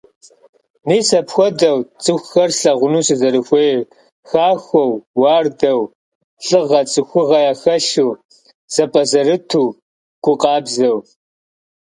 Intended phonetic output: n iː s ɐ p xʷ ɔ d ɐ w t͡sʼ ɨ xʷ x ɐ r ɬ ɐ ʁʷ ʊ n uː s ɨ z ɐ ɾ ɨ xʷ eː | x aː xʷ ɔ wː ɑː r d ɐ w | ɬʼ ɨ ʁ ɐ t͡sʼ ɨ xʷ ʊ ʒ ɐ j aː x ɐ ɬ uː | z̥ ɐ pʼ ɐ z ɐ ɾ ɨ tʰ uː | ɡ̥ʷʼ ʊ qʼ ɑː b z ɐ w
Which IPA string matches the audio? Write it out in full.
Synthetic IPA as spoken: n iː s ɐ p xʷ ɔ d ɐ w t͡sʼ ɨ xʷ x ɐ r ɬ ɐ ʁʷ ʊ n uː s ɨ z ɐ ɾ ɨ xʷ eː | x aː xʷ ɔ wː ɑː r d ɐ w | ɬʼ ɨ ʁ ɐ t͡sʼ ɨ xʷ ʊ ʁ ɐ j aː x ɐ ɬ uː | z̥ ɐ pʼ ɐ z ɐ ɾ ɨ tʰ uː | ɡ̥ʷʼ ʊ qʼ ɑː b z ɐ w